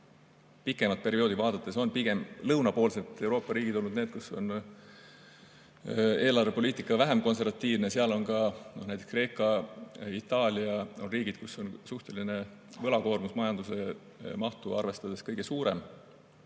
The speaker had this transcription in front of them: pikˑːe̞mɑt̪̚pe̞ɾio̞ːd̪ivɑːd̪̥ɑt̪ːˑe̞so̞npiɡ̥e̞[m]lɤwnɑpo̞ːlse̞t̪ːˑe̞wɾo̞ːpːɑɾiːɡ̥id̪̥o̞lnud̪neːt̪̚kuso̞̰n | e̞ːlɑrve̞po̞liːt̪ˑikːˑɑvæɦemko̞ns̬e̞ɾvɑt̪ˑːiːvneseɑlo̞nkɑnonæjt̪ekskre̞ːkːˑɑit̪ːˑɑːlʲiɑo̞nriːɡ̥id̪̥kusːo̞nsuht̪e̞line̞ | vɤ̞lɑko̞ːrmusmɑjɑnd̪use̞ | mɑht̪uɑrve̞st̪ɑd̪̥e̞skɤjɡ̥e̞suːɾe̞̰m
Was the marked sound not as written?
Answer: no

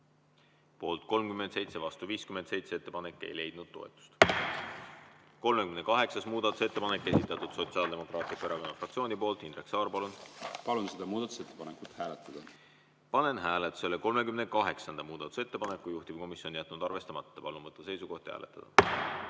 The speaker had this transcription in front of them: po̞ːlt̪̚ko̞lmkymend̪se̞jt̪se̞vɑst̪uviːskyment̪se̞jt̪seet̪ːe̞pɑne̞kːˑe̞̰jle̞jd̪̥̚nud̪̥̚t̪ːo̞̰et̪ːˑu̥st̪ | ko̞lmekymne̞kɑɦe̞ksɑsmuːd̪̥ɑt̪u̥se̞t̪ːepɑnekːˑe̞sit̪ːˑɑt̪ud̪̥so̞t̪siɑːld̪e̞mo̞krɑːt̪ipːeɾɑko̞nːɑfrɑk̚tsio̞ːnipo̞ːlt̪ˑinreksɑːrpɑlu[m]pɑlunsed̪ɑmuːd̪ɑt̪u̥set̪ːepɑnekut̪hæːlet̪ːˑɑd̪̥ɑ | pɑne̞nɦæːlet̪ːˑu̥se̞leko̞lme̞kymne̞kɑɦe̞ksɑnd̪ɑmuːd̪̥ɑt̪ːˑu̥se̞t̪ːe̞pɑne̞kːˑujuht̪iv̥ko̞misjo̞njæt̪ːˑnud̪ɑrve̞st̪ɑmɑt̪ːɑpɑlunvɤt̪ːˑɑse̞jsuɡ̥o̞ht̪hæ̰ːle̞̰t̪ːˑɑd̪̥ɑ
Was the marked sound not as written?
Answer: yes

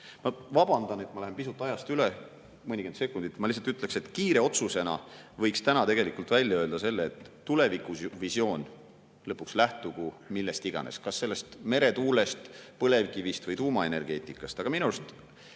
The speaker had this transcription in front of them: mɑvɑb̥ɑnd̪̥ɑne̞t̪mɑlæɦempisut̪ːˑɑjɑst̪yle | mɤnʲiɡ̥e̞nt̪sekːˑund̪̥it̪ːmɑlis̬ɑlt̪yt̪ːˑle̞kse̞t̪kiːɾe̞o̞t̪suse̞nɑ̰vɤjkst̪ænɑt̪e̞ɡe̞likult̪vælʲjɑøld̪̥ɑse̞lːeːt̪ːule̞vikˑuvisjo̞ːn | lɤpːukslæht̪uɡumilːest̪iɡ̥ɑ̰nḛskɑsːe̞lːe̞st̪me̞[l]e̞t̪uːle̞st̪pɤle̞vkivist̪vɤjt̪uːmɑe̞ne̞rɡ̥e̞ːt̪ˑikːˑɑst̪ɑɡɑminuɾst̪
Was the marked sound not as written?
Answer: yes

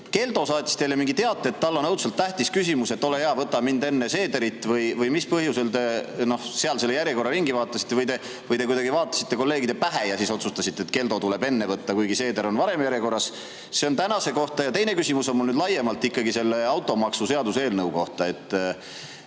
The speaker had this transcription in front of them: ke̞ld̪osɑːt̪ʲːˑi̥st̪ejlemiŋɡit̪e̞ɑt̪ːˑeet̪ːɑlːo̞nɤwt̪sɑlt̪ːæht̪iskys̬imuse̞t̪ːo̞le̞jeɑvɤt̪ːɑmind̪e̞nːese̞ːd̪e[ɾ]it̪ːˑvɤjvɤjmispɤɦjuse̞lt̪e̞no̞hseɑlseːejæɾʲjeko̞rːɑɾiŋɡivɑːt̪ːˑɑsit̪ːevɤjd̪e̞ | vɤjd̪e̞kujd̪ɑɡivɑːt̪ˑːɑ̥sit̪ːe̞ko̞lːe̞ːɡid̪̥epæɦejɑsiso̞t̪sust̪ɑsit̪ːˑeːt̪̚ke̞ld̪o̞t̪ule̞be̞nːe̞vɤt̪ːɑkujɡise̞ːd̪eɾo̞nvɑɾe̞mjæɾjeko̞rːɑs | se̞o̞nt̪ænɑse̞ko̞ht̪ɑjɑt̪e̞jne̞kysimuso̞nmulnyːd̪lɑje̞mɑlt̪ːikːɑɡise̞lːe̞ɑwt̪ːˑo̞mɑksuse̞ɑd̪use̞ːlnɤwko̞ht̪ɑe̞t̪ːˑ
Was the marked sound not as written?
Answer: no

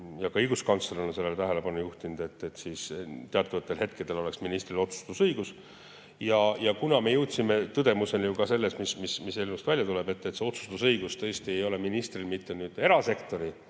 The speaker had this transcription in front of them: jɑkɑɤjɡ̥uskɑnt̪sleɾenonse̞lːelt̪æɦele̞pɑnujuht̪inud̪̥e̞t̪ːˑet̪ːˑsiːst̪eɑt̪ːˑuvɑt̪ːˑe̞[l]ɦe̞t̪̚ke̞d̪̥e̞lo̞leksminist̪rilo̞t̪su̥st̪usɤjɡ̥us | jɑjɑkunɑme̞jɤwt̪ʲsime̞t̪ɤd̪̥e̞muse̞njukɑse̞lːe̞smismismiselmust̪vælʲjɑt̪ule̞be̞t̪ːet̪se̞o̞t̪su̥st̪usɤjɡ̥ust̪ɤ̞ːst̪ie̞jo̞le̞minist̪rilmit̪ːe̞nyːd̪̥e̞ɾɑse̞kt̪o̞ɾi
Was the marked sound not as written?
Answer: no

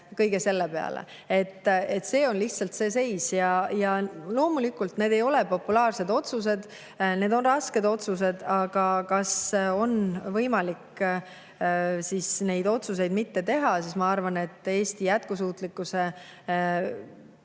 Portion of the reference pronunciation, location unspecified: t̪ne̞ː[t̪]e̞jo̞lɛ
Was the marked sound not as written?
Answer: yes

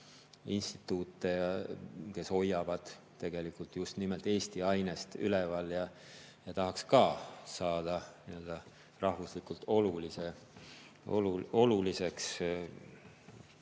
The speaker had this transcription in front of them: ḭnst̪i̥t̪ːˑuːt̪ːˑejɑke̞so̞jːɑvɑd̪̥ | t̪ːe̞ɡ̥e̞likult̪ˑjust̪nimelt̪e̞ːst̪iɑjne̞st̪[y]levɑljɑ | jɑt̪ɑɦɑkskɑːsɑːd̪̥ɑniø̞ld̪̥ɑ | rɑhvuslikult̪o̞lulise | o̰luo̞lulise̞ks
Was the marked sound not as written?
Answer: no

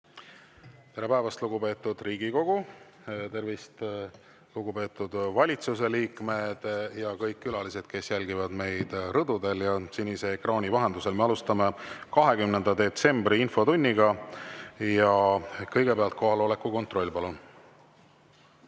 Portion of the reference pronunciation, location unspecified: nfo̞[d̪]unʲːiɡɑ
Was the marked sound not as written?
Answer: yes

